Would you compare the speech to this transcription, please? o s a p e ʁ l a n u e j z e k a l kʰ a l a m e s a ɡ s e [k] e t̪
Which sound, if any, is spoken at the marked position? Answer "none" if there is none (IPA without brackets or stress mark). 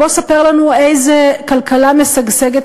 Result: ɡ